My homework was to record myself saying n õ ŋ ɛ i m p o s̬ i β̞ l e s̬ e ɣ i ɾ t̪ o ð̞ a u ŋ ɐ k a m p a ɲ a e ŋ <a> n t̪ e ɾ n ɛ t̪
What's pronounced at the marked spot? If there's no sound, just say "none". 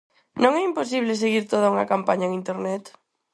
i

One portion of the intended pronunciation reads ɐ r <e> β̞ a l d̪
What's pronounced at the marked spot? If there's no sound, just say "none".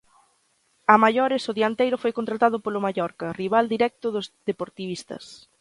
i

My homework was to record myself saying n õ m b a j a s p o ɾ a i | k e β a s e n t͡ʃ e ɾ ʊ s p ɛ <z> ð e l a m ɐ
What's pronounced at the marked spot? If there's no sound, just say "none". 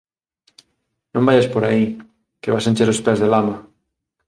z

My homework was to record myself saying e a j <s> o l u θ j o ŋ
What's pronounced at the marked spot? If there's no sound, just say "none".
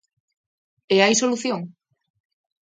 s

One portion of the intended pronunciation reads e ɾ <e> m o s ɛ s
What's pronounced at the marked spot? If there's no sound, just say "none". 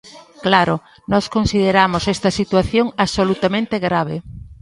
a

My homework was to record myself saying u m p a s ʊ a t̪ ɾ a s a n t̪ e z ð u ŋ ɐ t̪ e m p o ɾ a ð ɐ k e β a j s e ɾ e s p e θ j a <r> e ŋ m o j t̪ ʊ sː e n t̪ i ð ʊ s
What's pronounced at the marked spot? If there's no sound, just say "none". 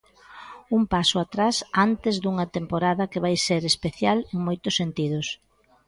l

